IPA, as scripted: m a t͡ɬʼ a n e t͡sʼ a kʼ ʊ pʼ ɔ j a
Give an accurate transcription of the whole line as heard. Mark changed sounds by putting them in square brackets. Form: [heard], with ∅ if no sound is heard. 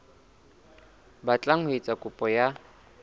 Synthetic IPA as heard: [b] a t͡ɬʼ a [ŋ] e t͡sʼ a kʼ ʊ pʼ ɔ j a